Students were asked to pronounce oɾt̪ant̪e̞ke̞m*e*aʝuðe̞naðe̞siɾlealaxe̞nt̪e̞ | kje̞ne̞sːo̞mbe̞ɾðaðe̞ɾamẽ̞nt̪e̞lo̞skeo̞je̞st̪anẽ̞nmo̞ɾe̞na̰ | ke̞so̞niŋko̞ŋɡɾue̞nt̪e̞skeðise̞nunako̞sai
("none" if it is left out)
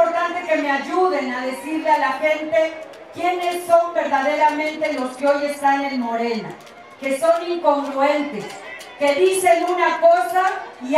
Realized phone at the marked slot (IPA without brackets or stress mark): e